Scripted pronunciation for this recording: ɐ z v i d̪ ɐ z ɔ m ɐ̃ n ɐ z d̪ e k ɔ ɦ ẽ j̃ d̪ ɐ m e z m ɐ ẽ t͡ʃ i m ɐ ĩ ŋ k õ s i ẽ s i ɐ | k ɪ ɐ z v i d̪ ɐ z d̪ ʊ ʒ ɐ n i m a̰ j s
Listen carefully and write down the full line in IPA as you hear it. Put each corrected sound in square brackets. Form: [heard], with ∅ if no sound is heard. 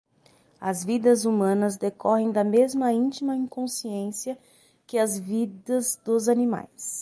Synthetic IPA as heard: ɐ z v i d̪ ɐ z [u] m ɐ̃ n ɐ z d̪ e k ɔ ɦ ẽ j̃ d̪ ɐ m e z m ɐ [ĩ] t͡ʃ i m ɐ ĩ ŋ k õ s i ẽ s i ɐ | k ɪ ɐ z v i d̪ ɐ z d̪ ʊ [z] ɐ n i m a̰ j s